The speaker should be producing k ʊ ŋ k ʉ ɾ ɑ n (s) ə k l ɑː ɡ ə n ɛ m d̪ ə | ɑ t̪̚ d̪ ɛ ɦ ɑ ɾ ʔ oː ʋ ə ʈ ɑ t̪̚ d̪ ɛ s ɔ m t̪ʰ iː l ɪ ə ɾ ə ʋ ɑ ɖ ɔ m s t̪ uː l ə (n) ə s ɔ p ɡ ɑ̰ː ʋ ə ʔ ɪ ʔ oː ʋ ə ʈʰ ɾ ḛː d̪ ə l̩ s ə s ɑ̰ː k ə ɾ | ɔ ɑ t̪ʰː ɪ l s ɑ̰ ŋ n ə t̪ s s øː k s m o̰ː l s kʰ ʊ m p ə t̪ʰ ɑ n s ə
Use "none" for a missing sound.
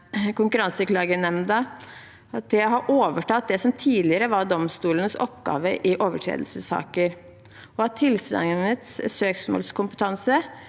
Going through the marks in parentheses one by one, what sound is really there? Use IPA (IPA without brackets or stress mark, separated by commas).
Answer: s, n